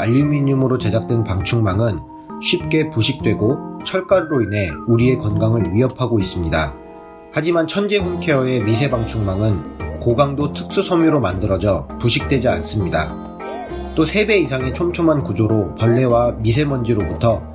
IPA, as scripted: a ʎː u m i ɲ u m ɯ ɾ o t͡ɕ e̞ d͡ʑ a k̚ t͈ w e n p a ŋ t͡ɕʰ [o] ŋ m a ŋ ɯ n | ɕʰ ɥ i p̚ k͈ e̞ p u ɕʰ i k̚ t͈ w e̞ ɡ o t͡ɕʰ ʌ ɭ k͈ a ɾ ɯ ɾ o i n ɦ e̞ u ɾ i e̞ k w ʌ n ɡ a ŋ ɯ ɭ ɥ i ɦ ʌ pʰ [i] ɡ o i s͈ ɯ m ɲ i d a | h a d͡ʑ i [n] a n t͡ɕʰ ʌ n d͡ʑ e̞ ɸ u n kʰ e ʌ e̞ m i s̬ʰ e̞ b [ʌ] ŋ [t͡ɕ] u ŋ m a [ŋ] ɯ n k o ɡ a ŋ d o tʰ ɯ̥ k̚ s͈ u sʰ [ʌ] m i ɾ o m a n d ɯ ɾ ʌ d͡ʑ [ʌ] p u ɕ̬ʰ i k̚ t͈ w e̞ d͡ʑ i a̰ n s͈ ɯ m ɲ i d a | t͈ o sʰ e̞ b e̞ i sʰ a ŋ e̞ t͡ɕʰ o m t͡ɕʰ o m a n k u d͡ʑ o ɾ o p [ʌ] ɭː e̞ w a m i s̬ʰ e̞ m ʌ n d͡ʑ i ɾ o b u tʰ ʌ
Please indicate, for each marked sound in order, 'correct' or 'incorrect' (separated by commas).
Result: incorrect, incorrect, incorrect, incorrect, incorrect, correct, correct, correct, correct